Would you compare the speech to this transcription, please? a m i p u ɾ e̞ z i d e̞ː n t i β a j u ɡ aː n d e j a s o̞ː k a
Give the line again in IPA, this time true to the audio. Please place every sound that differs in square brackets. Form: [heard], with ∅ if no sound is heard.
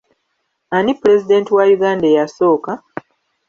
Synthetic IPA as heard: a [n] i p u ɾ e̞ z i d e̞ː n t i [w] a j u ɡ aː n d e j a s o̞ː k a